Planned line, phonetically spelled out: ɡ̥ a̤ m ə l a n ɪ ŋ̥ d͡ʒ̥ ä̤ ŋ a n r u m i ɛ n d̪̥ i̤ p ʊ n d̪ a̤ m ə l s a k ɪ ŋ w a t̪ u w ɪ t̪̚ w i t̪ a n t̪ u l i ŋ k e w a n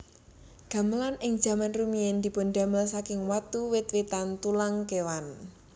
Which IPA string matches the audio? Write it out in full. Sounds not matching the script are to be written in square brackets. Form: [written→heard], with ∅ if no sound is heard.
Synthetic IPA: ɡ̥ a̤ m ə l a n ɪ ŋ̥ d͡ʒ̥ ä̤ [ŋ→m] a n r u m i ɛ n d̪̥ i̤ p ʊ n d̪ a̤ m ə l s a k ɪ ŋ w a t̪ u w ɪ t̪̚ w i t̪ a n t̪ u l [i→a] ŋ k e w a n